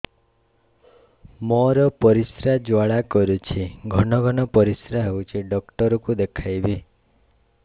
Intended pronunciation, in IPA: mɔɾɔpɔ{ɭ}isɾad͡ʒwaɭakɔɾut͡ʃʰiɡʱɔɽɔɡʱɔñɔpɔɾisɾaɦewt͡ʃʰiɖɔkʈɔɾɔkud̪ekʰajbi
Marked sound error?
yes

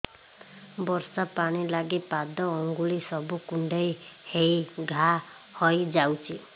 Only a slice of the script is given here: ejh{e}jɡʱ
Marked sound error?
no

